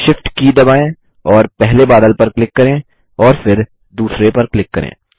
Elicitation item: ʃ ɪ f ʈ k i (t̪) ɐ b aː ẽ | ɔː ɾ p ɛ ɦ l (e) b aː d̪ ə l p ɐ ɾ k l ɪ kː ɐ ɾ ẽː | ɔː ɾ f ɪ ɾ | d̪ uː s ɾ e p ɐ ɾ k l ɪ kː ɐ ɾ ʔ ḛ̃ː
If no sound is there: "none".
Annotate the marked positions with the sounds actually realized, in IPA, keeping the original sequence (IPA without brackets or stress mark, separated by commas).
d̪, e